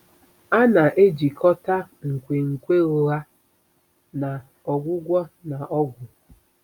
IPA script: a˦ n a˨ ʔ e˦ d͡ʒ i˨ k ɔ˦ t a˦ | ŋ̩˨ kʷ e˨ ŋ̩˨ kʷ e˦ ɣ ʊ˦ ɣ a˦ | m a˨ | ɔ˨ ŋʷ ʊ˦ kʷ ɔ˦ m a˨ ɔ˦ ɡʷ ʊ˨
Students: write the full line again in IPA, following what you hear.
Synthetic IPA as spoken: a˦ n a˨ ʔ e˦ d͡ʒ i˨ k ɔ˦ t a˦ | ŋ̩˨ kʷ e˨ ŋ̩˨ kʷ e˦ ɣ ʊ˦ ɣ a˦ | n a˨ | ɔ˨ ɡʷ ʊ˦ ɡʷ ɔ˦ n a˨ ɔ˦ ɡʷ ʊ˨